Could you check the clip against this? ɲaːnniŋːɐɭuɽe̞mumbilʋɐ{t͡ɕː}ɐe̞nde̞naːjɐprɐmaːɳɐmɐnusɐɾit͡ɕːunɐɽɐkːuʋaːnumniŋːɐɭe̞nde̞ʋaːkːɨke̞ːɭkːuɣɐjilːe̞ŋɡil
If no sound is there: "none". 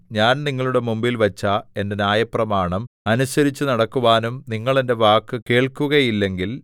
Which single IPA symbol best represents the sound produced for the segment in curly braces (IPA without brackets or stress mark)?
t͡ɕː